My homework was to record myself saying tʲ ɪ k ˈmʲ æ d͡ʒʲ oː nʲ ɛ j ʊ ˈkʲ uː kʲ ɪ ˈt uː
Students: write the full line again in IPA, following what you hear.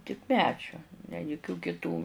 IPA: tʲ ɪ k ˈmʲ æː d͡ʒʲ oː nʲ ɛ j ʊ ˈkʲ uː kʲ ɪ ˈt uː